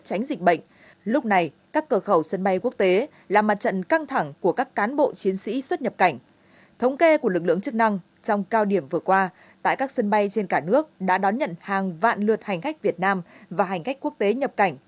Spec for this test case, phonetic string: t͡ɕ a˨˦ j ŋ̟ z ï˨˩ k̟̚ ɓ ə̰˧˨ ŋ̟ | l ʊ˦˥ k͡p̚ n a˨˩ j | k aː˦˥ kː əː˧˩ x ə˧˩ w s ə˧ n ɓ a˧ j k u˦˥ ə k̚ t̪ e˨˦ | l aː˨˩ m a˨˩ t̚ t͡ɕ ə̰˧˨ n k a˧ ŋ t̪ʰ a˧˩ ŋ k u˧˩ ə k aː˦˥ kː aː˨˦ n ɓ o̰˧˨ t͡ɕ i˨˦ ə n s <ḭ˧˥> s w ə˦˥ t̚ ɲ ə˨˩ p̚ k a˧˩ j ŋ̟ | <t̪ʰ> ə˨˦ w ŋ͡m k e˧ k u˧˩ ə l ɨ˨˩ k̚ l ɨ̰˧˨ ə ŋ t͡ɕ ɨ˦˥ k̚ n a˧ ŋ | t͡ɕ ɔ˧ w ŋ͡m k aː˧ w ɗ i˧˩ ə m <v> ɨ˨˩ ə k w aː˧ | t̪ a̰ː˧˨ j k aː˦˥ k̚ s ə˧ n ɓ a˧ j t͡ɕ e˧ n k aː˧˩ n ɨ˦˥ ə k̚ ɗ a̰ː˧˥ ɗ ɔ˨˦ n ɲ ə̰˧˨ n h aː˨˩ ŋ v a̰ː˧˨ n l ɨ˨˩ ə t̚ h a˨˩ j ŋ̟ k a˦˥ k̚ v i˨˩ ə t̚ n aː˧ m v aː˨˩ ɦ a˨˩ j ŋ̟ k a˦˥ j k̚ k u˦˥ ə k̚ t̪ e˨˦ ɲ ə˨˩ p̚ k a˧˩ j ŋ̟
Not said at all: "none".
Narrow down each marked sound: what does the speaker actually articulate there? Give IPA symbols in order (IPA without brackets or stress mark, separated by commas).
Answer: ḭ˧˥, t̪ʰ, v